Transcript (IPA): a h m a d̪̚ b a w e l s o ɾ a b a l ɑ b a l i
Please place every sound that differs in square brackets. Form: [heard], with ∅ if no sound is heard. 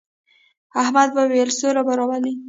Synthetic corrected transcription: a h m a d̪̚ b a w e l s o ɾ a b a [ɾ] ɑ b a l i